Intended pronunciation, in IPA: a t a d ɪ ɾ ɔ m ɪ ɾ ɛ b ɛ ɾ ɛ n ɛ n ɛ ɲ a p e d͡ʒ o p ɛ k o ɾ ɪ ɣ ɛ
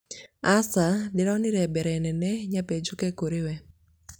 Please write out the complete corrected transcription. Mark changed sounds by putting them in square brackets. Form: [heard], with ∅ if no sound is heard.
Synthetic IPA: a [s] a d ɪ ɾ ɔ [n] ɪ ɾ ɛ b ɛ ɾ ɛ n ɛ n ɛ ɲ a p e d͡ʒ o [k] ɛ k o ɾ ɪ [w] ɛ